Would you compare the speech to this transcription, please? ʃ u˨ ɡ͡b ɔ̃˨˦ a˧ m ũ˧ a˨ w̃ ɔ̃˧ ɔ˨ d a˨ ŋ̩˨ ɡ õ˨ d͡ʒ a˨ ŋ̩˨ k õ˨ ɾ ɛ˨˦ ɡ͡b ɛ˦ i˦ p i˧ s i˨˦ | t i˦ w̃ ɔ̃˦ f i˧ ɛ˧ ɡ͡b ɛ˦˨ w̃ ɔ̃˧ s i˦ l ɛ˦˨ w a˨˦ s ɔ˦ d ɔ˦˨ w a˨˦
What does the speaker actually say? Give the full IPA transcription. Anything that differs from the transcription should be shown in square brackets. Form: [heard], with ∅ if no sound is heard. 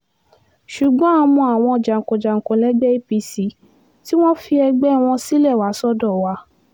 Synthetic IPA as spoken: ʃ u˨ ɡ͡b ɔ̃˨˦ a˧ m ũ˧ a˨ w̃ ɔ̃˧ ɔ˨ [d͡ʒ] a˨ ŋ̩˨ [k] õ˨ d͡ʒ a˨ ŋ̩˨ k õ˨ [l] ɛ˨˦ ɡ͡b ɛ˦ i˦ p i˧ s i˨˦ | t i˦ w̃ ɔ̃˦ f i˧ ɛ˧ ɡ͡b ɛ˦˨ w̃ ɔ̃˧ s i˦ l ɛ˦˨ w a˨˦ s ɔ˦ d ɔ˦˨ w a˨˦